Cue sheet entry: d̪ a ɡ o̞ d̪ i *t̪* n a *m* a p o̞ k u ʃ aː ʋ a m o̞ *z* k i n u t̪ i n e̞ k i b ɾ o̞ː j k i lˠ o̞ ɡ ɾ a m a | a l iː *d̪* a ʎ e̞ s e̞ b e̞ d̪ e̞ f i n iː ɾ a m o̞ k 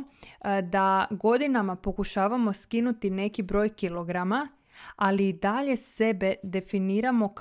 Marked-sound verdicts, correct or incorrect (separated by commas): incorrect, correct, incorrect, correct